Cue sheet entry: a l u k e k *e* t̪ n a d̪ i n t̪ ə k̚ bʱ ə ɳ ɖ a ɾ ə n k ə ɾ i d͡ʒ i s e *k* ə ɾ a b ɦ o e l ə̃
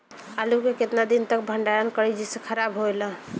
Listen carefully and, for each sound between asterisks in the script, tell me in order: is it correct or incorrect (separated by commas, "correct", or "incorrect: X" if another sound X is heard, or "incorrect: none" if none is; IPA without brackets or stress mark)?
correct, incorrect: kʰ